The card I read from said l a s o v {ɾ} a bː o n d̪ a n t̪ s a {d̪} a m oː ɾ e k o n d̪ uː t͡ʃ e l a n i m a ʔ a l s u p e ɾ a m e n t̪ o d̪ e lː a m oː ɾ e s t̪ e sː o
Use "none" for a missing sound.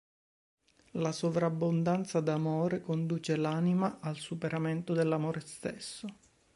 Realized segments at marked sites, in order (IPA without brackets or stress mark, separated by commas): ɾ, d̪